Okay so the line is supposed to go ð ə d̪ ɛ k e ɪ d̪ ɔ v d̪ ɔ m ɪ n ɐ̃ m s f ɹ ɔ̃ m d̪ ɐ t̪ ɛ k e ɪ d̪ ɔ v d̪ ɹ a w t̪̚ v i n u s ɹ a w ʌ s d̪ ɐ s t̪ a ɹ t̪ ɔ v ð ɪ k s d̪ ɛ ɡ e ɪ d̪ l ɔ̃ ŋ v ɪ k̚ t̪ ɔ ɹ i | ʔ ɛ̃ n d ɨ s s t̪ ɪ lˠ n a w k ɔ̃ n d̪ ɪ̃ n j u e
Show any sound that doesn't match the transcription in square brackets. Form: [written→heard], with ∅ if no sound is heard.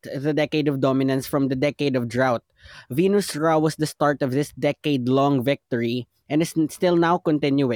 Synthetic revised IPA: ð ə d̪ ɛ k e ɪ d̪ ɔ v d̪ ɔ m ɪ n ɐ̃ [m→n] s f ɹ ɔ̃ m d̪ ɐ [t̪→d̪] ɛ k e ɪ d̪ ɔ v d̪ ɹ a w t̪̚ v i n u s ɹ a w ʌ s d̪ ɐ s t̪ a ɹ t̪ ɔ v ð ɪ [k→∅] s d̪ ɛ [ɡ→k] e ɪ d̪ l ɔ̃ ŋ v ɪ k̚ t̪ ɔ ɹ i | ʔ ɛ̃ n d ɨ s s t̪ ɪ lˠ n a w k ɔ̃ n [d̪→t̪] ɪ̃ n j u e